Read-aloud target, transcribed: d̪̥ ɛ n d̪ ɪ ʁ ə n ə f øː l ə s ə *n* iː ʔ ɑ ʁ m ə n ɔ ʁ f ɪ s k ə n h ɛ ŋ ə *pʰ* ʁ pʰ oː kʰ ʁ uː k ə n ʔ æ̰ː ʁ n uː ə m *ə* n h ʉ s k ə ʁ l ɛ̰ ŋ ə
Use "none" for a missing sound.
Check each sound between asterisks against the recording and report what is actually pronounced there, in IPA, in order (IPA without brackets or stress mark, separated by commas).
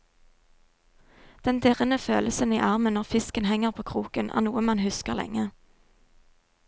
n, none, ɑ